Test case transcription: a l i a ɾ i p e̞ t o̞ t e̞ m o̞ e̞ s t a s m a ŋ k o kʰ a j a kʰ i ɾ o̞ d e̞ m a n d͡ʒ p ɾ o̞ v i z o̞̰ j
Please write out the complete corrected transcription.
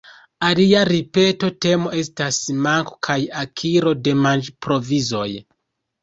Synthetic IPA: a l i a ɾ i p e̞ t o̞ t e̞ m o̞ e̞ s t a s m a ŋ k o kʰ a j a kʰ i ɾ o̞ d e̞ m a n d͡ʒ p ɾ o̞ v i z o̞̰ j